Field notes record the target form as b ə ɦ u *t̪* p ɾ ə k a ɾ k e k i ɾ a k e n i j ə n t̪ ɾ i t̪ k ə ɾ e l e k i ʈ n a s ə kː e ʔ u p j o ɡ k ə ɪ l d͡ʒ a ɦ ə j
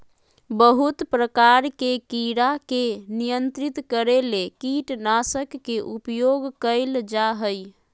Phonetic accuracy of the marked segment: correct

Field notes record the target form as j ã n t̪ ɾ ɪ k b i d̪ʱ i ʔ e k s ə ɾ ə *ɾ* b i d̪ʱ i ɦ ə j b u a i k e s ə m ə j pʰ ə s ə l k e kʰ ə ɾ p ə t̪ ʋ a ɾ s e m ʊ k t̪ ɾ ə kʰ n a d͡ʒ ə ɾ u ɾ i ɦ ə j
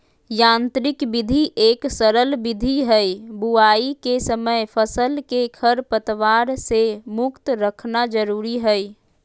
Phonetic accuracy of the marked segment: incorrect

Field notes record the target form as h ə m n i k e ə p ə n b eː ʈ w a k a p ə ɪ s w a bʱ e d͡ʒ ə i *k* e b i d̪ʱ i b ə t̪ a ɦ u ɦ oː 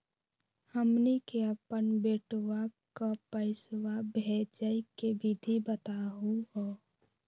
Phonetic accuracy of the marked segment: correct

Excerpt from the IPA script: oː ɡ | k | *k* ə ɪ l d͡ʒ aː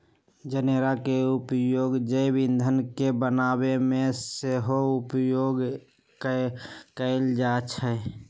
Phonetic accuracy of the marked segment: correct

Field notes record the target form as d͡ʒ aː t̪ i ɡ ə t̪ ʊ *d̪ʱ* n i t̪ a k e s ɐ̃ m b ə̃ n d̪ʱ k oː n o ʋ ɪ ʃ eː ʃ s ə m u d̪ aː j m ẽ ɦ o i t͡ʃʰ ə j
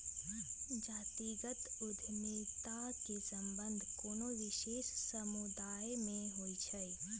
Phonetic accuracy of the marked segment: correct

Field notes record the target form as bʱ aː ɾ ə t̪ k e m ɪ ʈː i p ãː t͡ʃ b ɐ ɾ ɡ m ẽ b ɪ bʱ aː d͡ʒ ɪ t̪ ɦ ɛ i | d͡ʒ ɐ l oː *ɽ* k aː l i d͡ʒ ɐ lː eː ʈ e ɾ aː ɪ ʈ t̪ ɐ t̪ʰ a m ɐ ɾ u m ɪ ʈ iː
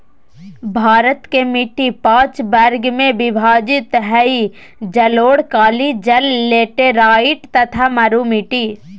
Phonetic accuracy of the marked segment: correct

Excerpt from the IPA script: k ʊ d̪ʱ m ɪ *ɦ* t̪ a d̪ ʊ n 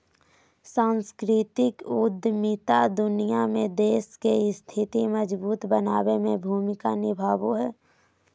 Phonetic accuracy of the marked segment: incorrect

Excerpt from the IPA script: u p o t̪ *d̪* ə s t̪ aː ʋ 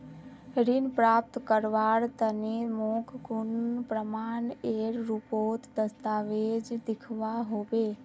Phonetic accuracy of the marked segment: correct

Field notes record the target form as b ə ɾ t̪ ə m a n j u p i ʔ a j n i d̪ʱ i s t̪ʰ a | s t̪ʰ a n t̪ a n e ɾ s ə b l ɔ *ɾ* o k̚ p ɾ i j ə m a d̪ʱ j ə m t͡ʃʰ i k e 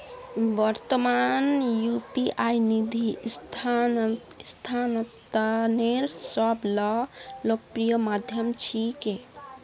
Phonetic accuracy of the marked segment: incorrect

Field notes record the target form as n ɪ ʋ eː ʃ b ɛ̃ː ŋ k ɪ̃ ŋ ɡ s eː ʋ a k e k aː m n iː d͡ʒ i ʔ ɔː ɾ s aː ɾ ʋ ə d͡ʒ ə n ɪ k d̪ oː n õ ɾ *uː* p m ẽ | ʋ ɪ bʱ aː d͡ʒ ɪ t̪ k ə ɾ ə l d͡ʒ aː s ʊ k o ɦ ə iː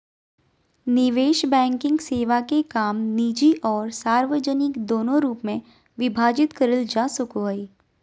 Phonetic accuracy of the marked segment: correct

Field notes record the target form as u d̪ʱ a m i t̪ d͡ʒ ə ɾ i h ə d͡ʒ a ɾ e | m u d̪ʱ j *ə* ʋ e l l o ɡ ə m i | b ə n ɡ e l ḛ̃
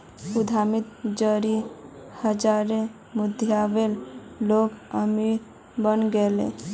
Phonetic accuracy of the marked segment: incorrect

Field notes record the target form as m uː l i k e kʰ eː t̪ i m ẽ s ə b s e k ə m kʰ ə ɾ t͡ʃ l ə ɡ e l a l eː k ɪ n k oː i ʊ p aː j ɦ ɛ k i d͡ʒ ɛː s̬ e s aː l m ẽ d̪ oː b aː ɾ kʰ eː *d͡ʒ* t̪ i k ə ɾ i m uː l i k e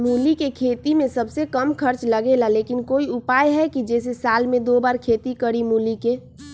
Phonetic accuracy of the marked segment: incorrect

